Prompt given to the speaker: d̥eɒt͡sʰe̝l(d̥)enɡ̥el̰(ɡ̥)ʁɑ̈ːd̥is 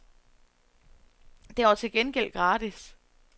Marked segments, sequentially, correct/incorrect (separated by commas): incorrect, correct